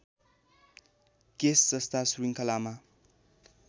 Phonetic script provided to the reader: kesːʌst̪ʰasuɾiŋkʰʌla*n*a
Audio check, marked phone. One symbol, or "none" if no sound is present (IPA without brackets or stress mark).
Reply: m